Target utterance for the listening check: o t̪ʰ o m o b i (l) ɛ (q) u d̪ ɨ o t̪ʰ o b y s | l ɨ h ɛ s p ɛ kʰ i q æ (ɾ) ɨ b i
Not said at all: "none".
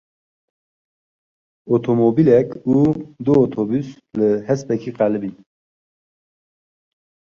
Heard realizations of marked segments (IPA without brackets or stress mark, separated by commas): l, k, l